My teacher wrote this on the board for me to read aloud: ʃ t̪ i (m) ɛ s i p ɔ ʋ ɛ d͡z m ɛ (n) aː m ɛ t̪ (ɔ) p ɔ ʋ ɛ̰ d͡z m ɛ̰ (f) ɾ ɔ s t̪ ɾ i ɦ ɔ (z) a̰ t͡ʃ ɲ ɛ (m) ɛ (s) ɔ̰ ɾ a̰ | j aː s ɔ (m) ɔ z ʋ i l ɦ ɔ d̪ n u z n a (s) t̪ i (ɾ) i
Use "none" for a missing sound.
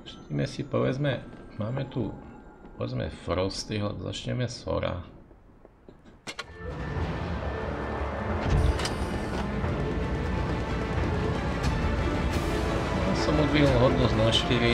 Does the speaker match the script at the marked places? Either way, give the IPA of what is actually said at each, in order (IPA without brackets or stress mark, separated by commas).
m, m, u, f, z, m, s, m, ʃ, ɾ